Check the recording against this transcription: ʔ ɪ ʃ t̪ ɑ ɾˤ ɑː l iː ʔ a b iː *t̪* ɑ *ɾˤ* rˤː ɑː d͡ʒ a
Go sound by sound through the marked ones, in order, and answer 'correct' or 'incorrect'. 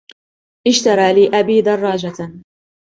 incorrect, incorrect

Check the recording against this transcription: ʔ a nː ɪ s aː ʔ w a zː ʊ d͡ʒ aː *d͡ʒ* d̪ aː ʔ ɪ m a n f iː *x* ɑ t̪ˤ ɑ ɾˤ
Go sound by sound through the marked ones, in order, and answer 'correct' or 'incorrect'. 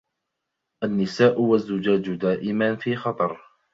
correct, correct

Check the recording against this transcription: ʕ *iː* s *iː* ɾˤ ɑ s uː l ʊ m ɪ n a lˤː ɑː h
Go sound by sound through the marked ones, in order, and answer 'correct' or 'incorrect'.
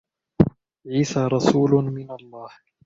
correct, incorrect

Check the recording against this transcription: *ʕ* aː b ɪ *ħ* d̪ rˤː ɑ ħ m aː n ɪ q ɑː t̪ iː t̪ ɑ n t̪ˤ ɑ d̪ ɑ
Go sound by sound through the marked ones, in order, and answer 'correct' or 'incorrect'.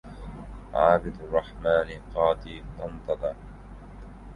correct, incorrect

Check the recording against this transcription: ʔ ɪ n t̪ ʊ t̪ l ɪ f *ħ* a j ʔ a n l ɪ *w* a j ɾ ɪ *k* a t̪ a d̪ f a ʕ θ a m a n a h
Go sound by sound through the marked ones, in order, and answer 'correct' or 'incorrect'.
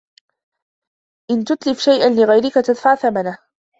incorrect, incorrect, correct

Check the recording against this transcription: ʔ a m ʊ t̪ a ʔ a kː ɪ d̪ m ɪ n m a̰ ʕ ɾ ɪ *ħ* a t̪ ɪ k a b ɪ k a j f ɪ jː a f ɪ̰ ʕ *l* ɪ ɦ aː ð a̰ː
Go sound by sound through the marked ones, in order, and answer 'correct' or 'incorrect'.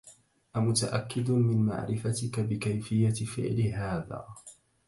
incorrect, correct

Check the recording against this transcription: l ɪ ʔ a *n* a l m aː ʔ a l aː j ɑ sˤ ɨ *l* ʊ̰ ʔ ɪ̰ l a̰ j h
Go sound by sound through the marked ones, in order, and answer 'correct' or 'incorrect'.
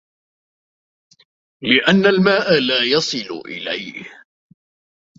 incorrect, correct

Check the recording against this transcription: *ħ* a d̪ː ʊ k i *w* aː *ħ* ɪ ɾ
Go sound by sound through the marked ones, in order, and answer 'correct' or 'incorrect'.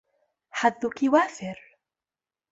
correct, correct, incorrect

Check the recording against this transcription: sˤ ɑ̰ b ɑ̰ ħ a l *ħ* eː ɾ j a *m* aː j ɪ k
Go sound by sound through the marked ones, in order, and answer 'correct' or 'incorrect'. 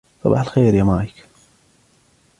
incorrect, correct

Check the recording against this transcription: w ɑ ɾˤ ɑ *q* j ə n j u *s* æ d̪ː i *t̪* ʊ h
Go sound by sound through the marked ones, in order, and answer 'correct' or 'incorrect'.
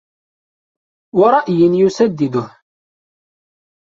incorrect, correct, incorrect

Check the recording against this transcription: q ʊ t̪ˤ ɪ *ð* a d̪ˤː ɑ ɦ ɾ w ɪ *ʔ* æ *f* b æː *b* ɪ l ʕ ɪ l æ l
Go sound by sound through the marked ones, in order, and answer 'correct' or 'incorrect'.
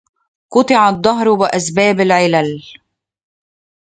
incorrect, correct, incorrect, correct

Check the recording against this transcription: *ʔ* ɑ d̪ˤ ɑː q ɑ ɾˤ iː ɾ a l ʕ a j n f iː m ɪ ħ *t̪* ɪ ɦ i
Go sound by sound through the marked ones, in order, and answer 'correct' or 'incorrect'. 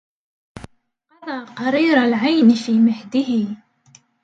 incorrect, incorrect

